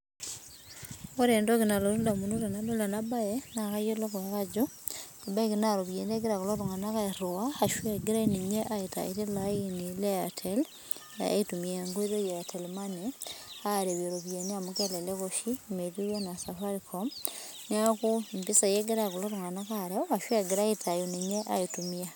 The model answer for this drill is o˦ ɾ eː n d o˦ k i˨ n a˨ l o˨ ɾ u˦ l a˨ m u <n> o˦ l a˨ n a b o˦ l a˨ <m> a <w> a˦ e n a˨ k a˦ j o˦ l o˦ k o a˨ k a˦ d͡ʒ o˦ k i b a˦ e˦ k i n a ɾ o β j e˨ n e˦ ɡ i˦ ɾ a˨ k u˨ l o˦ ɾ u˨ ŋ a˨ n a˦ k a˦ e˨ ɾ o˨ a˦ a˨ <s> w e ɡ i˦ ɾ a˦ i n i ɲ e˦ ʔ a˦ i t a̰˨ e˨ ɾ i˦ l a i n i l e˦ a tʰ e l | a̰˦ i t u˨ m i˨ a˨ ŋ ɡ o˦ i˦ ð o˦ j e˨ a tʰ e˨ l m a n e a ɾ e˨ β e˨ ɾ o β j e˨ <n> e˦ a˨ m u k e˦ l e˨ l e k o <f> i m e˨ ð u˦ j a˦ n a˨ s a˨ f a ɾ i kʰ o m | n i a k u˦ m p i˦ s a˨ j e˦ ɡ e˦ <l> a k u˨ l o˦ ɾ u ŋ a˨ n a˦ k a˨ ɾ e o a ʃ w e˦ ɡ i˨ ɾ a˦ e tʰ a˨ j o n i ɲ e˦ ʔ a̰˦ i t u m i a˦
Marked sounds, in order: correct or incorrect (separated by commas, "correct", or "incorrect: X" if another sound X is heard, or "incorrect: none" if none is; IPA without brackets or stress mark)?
correct, incorrect: n, incorrect: b, incorrect: ʃ, correct, incorrect: ʃ, incorrect: ɾ